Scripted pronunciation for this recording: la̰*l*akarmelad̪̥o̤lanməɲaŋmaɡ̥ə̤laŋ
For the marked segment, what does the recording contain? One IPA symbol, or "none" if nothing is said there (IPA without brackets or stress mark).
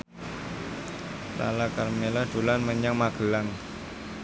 l